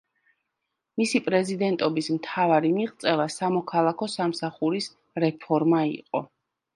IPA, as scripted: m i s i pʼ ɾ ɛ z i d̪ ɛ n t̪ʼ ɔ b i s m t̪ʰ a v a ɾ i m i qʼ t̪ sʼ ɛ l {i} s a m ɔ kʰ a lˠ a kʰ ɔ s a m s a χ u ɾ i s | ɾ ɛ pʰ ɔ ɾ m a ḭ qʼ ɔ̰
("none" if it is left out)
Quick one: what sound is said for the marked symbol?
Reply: a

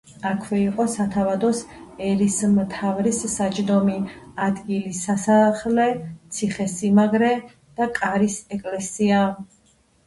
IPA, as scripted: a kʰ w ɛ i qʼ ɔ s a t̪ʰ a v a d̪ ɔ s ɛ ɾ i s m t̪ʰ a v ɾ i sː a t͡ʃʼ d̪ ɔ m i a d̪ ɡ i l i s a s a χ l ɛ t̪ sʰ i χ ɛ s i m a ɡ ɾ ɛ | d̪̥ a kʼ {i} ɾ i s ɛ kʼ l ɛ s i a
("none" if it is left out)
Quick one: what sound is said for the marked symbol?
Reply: a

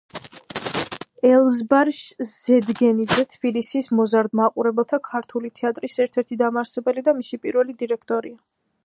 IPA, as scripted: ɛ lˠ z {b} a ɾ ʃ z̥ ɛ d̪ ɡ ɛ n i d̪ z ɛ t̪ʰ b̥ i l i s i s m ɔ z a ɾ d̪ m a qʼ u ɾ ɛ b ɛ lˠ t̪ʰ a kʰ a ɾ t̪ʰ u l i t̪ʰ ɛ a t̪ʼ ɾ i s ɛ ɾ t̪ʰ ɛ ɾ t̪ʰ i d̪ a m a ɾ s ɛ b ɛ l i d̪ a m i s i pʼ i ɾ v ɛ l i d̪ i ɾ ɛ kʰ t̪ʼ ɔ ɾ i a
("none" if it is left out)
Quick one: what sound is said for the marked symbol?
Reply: b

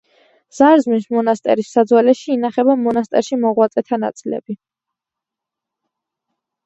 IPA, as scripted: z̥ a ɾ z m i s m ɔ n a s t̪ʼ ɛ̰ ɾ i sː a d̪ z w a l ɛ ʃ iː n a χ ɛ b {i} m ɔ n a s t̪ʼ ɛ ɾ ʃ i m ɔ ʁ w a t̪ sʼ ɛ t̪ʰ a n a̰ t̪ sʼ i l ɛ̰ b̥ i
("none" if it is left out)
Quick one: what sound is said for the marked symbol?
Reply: a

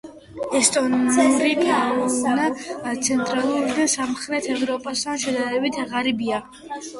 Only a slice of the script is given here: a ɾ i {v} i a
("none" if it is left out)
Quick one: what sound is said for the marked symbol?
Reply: b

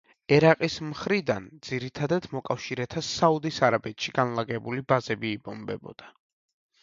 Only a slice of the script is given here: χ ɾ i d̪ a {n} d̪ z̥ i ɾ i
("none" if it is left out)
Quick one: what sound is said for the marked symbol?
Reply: n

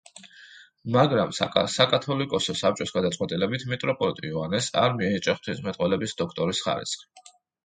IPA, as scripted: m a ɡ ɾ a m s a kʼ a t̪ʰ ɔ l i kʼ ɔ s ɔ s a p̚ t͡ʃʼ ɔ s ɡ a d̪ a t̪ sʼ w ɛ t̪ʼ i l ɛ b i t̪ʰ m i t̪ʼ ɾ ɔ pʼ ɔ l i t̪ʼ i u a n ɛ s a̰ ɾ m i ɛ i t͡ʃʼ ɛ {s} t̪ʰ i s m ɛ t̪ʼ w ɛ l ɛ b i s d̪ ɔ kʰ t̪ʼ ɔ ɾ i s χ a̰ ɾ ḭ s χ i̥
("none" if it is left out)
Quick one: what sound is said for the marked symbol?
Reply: χ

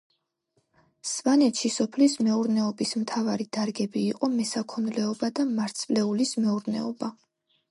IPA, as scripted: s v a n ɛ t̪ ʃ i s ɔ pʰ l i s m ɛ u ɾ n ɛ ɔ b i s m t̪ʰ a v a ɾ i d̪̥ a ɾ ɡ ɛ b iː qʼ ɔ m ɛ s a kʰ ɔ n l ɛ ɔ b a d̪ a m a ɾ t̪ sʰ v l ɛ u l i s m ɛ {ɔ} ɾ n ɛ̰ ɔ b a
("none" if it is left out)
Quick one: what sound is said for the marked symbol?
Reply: u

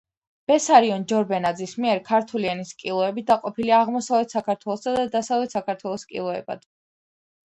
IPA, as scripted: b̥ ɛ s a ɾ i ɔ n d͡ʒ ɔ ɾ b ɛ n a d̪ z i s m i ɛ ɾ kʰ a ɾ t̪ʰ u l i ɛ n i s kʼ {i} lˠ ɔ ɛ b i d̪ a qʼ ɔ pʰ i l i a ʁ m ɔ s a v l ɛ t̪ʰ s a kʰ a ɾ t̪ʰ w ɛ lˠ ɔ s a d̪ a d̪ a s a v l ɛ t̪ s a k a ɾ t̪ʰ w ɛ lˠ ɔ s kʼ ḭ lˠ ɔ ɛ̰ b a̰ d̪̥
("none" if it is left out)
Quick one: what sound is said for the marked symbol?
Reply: i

